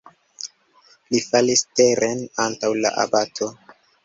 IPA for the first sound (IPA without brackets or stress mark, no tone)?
l